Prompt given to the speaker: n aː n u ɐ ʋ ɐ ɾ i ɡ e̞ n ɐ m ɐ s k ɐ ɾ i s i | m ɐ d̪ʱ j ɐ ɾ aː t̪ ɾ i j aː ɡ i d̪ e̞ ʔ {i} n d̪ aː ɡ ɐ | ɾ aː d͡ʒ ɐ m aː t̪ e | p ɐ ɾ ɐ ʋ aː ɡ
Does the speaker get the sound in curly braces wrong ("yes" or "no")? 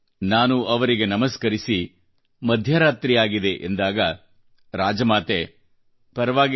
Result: yes